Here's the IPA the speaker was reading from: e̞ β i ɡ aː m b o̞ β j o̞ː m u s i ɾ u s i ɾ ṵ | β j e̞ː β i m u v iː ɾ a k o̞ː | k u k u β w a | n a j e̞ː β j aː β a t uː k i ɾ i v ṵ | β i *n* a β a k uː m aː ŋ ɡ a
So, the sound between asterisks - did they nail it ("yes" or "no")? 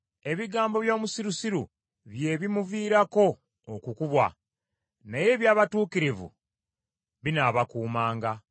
yes